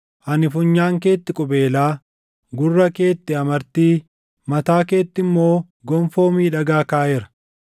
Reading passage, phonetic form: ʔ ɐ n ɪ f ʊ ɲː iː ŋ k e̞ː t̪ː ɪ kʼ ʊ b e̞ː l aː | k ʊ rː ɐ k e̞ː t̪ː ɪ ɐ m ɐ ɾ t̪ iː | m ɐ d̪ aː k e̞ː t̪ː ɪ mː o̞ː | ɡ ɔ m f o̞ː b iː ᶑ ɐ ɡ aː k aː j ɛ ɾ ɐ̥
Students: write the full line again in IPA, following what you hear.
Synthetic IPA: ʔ ɐ n ɪ f ʊ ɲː aː ŋ k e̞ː t̪ː ɪ kʼ ʊ b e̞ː l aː | ɡ ʊ rː ɐ k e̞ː t̪ː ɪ ɐ m ɐ ɾ t̪ iː | m ɐ t̪ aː k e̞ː t̪ː ɪ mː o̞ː | ɡ ɔ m f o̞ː m iː ᶑ ɐ ɡ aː k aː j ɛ ɾ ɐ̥

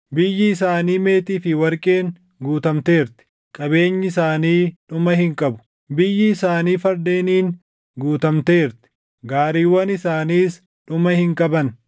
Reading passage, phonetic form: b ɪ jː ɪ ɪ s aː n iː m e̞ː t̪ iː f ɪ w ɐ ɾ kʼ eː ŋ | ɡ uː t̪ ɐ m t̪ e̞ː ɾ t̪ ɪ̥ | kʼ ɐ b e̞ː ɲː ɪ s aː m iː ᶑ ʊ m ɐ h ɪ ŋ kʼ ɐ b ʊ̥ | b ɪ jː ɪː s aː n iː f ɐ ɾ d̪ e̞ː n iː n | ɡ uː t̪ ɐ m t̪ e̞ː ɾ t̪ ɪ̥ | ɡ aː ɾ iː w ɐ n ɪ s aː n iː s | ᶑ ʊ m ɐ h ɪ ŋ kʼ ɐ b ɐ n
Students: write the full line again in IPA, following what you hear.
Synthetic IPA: b ɪ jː ɪ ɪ s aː n iː m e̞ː t̪ iː f ɪ w ɐ ɾ kʼ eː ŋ | ɡ uː t̪ ɐ m t̪ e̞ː ɾ t̪ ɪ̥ | kʼ ɐ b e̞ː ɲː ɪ s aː n iː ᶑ ʊ m ɐ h ɪ ŋ kʼ ɐ b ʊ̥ | b ɪ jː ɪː s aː n iː f ɐ ɾ d̪ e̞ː n iː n | ɡ uː t̪ ɐ m t̪ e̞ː ɾ t̪ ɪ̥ | ɡ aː ɾ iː w ɐ n ɪ s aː n iː s | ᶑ ʊ m ɐ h ɪ ŋ kʼ ɐ b ɐ n

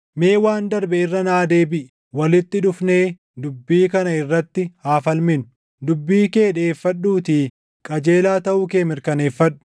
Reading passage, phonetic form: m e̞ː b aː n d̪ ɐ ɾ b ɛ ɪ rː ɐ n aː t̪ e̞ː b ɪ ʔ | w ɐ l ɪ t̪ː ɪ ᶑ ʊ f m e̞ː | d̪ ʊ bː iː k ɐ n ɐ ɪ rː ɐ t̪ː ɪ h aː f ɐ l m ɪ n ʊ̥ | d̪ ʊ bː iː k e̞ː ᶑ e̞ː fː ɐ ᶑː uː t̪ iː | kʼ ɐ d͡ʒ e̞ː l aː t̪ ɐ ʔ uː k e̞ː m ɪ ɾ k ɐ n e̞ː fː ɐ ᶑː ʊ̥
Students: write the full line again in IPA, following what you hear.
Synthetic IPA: m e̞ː w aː n d̪ ɐ ɾ b ɛ ɪ rː ɐ n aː d̪ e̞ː b ɪ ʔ | w ɐ l ɪ t̪ː ɪ ᶑ ʊ f n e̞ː | d̪ ʊ bː iː k ɐ n ɐ ɪ rː ɐ t̪ː ɪ h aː f ɐ l m ɪ n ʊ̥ | d̪ ʊ bː iː k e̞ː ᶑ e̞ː fː ɐ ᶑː uː t̪ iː | kʼ ɐ d͡ʒ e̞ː l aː t̪ ɐ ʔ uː k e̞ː m ɪ ɾ k ɐ n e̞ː fː ɐ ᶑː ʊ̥

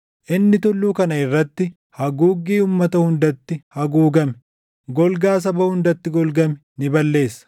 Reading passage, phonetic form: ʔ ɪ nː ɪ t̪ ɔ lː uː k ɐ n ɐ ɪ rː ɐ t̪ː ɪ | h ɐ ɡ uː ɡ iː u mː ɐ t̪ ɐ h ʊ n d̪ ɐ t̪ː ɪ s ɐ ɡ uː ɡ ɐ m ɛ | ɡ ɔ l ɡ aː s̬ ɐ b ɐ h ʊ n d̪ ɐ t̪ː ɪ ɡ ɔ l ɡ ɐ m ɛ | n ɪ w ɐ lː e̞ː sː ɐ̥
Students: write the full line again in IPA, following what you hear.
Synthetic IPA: ʔ ɪ nː ɪ t̪ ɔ lː uː k ɐ n ɐ ɪ rː ɐ t̪ː ɪ | h ɐ ɡ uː ɡ iː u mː ɐ t̪ ɐ h ʊ n d̪ ɐ t̪ː ɪ h ɐ ɡ uː ɡ ɐ m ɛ | ɡ ɔ l ɡ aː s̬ ɐ b ɐ h ʊ n d̪ ɐ t̪ː ɪ ɡ ɔ l ɡ ɐ m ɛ | n ɪ b ɐ lː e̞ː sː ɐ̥

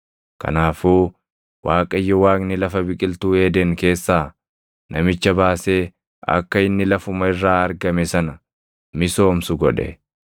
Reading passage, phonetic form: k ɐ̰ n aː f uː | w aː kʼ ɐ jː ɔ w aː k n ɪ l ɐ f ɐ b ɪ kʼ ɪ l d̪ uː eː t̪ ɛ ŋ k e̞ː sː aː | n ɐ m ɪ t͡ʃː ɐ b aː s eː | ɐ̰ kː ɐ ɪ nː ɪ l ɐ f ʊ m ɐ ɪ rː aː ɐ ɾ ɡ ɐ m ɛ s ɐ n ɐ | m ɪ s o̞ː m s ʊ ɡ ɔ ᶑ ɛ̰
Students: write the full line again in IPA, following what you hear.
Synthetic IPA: k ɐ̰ n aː f uː | w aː kʼ ɐ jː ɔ w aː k n ɪ l ɐ f ɐ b ɪ kʼ ɪ l t̪ uː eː d̪ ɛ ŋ k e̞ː sː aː | n ɐ m ɪ t͡ʃː ɐ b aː s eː | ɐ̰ kː ɐ ɪ nː ɪ l ɐ f ʊ m ɐ ɪ rː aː ɐ ɾ ɡ ɐ m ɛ s ɐ n ɐ | m ɪ s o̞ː m s ʊ ɡ ɔ ᶑ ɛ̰

